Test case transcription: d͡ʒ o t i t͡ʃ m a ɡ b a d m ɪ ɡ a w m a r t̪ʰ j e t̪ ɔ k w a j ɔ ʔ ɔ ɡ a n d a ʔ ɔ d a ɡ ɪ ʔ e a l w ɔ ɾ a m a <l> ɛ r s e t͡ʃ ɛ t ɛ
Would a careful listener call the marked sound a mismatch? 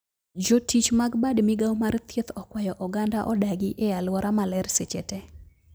no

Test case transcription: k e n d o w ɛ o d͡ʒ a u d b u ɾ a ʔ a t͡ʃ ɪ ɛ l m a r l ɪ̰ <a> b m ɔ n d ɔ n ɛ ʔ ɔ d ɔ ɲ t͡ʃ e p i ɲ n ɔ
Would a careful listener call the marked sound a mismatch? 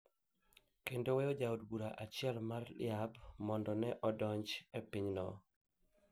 no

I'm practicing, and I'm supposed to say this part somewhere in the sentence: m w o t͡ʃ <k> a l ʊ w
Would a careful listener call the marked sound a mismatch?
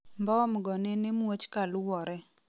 no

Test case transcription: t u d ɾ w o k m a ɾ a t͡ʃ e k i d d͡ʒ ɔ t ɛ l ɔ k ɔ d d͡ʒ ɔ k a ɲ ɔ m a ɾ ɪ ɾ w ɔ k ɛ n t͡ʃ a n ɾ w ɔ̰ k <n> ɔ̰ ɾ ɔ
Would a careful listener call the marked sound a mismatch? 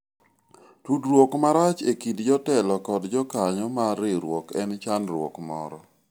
yes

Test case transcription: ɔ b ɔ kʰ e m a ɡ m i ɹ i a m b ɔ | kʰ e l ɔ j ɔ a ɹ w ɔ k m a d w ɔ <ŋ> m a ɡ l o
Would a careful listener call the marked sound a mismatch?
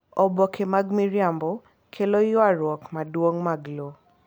no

